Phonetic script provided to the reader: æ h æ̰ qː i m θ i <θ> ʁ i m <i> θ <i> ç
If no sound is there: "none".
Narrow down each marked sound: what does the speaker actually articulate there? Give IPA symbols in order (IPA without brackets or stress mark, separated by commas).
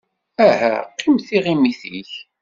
none, i, i